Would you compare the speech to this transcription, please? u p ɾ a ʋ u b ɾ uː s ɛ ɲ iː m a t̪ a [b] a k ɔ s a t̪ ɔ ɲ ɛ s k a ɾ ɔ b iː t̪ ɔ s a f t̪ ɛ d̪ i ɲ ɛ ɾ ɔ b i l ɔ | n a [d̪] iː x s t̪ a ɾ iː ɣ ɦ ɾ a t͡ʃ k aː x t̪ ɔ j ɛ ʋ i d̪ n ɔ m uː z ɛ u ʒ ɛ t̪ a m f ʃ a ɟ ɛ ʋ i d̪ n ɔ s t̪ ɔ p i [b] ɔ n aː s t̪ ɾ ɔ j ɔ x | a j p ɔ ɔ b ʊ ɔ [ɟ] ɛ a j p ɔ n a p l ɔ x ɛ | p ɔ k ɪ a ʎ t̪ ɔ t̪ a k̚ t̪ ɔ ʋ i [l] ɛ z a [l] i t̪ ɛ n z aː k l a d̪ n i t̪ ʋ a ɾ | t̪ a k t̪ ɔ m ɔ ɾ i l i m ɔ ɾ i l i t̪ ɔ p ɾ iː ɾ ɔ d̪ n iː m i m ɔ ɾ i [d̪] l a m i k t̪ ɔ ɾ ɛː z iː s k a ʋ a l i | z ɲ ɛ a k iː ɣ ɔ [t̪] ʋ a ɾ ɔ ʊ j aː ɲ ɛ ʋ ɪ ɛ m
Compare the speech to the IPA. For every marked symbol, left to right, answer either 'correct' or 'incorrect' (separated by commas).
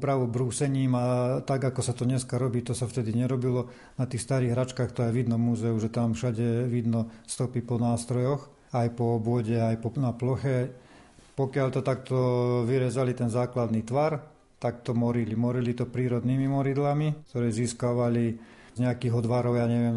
incorrect, incorrect, incorrect, correct, incorrect, correct, correct, incorrect